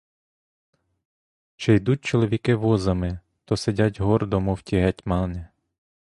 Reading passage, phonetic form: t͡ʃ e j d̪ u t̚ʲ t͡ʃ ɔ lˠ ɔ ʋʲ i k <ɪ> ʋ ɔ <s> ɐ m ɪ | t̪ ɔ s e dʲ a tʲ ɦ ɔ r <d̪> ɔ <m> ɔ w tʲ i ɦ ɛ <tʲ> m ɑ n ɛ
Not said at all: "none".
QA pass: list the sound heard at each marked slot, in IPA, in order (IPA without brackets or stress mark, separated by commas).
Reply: ɪ, z, d̪, m, tʲ